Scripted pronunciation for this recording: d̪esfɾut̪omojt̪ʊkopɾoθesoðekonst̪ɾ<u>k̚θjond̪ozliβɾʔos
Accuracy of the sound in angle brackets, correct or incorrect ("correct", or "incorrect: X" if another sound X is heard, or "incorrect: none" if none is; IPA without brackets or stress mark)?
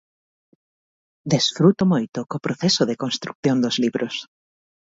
correct